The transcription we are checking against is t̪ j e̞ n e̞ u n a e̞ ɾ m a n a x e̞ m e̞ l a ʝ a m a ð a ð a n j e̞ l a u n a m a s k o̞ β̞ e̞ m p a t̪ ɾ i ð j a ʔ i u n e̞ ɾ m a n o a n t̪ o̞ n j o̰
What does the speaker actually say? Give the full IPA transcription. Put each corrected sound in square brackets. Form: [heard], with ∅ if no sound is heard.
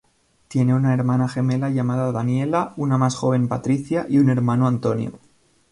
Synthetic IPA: t̪ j e̞ n e̞ u n a e̞ ɾ m a n a x e̞ m e̞ l a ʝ a m a ð a ð a n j e̞ l a u n a m a s [x] o̞ β̞ e̞ m p a t̪ ɾ i [θ] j a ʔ i u n e̞ ɾ m a n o a n t̪ o̞ n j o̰